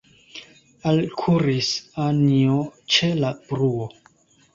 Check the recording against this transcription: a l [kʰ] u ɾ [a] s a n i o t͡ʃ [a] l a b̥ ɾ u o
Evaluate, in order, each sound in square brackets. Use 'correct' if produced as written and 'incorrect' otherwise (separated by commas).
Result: correct, incorrect, incorrect